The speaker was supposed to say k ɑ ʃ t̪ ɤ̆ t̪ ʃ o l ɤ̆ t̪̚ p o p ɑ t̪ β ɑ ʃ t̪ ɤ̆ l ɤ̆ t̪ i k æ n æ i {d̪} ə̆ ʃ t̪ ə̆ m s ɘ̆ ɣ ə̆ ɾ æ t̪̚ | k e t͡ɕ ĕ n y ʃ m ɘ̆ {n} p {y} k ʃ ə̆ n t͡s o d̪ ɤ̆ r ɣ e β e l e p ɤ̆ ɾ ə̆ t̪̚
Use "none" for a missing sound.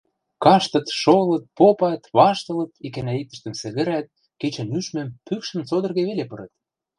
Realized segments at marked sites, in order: t̪, m, y

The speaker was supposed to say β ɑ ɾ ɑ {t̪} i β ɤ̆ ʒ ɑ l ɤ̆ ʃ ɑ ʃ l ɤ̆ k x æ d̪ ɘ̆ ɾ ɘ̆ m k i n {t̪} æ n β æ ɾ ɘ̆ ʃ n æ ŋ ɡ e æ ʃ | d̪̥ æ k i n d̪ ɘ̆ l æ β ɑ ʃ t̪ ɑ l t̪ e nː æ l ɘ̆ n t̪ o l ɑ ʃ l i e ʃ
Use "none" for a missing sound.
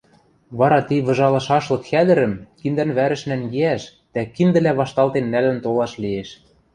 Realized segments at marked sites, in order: t̪, d̪

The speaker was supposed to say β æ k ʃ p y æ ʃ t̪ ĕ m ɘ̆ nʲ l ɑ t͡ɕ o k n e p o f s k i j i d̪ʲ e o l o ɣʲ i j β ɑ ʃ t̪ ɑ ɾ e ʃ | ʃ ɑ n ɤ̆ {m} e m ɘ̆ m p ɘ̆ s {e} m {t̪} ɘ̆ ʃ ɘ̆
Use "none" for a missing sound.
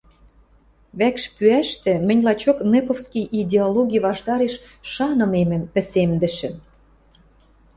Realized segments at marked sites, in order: m, e, d̪

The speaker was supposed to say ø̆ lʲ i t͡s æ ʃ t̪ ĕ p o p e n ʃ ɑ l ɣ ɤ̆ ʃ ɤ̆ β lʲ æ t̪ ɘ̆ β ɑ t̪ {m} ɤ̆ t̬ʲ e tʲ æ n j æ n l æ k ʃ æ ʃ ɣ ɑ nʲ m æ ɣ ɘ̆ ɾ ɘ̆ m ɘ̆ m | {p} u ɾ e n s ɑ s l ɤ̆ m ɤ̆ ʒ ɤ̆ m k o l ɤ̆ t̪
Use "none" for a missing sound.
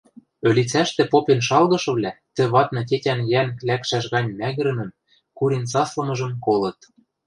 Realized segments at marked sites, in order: n, k

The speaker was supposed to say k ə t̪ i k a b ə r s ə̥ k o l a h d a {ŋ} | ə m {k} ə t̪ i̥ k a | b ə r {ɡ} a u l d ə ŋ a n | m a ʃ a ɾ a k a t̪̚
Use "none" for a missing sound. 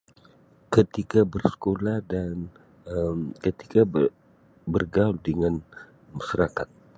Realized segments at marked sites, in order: n, k, ɡ

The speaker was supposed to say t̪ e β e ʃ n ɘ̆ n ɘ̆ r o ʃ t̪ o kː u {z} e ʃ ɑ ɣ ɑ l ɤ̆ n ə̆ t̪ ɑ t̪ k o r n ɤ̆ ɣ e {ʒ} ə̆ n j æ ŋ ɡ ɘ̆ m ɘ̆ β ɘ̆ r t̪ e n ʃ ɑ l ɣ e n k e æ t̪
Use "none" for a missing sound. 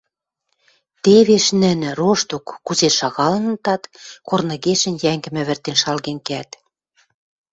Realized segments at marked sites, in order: z, ʃ

